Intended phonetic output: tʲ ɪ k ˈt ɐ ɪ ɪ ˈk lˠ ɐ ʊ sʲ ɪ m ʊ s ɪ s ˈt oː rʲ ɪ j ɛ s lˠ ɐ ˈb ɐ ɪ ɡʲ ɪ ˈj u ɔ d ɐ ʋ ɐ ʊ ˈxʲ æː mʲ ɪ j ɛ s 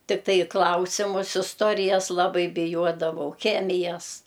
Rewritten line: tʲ ɪ k ˈt ɐ ɪ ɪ ˈk lˠ ɐ ʊ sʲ ɪ m ʊ s ɪ s ˈt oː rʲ ɪ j ɛ s lˠ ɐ ˈb ɐ ɪ bʲ ɪ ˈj u ɔ d ɐ ʋ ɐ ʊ ˈxʲ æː mʲ ɪ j ɛ s